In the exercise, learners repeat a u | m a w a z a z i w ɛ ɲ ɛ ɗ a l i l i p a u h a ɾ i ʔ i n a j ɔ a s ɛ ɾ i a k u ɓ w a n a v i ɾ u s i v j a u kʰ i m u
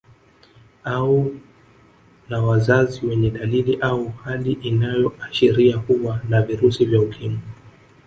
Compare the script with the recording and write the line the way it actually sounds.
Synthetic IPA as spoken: a u | n a w a z a z i w ɛ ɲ ɛ ɗ a l i l i ʔ a u h a l i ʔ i n a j ɔ a ʃ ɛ ɾ i a k u ɓ w a n a v i ɾ u s i v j a u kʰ i m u